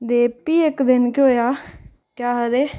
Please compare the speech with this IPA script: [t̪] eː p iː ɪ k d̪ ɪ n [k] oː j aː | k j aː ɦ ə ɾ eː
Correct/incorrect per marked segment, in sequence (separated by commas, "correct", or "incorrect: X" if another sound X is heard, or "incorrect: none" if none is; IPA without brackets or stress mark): incorrect: d̪, correct